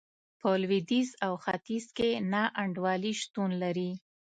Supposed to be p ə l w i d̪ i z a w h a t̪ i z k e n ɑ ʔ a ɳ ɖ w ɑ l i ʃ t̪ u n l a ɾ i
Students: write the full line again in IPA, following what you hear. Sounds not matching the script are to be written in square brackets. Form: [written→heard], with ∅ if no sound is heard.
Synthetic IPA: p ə l w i d̪ i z a w [h→x] a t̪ i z k e n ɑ ʔ a ɳ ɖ w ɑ l i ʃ t̪ u n l a ɾ i